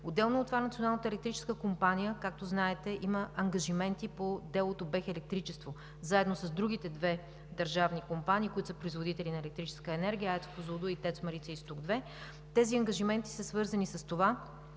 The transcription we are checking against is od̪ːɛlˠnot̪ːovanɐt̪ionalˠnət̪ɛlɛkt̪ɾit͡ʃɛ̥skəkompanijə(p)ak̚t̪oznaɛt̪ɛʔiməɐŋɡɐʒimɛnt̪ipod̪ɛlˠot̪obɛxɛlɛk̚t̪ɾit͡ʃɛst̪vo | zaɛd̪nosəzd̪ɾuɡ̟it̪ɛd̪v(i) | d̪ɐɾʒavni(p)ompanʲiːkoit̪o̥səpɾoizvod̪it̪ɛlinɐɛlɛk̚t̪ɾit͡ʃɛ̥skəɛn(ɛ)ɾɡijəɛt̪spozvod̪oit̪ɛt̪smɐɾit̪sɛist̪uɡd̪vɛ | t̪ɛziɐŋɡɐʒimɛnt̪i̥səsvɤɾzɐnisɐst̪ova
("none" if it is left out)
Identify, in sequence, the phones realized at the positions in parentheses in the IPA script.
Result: k, ɛ, k, ɛ

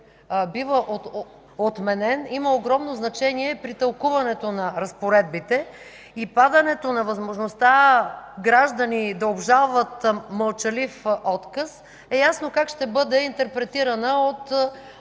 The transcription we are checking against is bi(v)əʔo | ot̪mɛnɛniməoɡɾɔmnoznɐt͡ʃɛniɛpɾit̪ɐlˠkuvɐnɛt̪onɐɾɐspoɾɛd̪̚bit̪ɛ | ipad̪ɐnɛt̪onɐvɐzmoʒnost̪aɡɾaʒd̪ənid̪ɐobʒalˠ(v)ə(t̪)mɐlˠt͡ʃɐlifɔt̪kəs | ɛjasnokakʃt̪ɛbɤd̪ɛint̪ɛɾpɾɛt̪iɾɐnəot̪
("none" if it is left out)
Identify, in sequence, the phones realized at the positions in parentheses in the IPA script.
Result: v, v, t̪

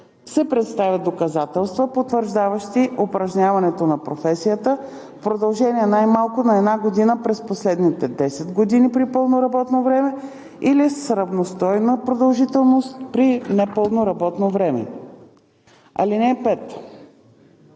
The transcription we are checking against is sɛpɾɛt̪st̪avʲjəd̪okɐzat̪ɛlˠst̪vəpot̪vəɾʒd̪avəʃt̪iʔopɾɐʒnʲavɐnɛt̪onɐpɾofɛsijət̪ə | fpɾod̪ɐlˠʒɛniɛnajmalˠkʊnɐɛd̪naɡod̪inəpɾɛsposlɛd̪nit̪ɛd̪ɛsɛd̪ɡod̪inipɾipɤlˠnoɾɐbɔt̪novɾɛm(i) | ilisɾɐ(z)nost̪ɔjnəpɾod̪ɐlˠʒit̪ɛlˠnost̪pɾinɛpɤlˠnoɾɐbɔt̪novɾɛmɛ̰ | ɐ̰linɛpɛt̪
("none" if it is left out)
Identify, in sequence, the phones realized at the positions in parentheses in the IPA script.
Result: ɛ, v

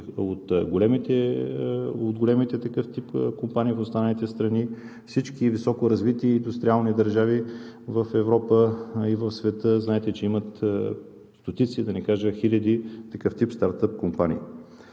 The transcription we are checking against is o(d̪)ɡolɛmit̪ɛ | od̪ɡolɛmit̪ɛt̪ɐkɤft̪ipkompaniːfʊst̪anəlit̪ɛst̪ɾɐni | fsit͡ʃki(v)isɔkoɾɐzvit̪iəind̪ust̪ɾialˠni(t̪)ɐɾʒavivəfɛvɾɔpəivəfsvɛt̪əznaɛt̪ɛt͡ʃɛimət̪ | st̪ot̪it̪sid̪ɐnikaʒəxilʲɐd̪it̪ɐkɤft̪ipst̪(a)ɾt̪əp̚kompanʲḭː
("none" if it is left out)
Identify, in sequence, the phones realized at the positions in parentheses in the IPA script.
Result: t̪, v, d̪, a

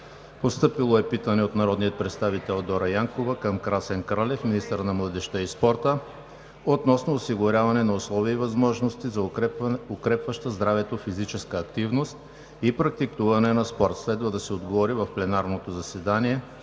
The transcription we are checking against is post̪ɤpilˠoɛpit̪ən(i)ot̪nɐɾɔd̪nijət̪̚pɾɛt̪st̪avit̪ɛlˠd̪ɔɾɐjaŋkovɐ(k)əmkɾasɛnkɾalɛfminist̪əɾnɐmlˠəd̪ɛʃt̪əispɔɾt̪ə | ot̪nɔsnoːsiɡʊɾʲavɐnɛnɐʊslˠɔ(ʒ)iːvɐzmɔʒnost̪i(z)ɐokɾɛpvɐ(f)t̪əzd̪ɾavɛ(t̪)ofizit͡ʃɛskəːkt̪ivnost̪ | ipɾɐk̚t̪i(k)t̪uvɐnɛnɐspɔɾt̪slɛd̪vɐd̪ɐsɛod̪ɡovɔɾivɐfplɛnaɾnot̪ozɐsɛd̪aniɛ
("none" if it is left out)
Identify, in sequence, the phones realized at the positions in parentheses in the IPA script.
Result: ɛ, k, v, z, ʃ, t̪, k

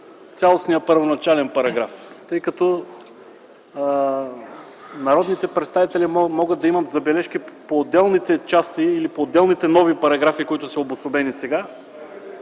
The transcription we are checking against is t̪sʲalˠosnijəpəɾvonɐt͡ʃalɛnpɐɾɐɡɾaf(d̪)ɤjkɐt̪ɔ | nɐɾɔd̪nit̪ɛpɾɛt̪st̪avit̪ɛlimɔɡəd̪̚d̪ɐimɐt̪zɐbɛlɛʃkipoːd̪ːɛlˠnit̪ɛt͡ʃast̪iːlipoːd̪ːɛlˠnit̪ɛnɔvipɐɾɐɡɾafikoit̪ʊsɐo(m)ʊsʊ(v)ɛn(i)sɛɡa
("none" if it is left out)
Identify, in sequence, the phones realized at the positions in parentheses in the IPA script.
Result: t̪, b, b, i

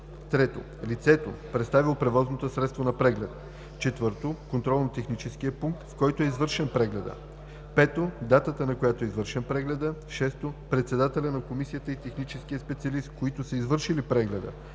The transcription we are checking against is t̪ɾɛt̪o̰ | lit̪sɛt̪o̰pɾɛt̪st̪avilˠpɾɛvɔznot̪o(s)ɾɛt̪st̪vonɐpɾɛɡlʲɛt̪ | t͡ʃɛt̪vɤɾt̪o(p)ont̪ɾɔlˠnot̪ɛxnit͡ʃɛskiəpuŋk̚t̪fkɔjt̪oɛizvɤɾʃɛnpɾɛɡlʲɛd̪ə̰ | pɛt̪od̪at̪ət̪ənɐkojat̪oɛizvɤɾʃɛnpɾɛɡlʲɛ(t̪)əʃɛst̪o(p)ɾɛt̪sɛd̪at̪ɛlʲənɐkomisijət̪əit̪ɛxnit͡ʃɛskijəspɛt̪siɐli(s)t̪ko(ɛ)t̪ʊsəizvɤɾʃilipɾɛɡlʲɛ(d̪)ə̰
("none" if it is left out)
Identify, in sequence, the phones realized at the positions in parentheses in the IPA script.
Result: s, k, d̪, p, s, i, d̪

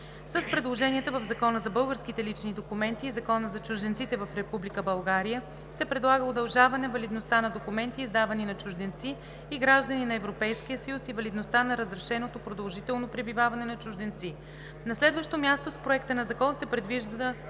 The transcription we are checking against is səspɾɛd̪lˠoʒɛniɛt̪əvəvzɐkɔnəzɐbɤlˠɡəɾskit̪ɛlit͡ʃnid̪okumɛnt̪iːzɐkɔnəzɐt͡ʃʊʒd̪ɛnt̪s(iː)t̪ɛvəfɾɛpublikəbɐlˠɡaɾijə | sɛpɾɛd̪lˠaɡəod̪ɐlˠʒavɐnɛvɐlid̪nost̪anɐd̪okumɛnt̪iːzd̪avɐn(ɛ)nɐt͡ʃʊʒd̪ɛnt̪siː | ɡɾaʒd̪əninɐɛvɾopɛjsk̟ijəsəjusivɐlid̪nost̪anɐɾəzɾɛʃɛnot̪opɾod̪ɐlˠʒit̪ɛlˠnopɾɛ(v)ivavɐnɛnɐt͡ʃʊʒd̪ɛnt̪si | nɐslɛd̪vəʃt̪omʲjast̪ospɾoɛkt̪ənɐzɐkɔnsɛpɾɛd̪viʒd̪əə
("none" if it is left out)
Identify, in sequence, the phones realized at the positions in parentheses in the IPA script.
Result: i, i, b

